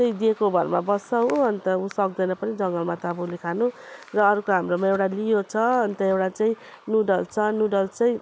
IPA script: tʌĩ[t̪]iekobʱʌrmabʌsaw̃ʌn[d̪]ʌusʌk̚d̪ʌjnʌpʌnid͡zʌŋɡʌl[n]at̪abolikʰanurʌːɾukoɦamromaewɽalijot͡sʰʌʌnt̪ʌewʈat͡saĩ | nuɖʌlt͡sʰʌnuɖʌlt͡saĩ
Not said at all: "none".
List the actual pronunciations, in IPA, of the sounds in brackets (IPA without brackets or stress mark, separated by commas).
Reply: d̪, t̪, m